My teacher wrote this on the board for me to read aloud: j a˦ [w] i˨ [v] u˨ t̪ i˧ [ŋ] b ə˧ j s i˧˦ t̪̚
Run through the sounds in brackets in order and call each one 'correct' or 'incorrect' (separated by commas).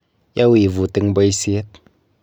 correct, correct, correct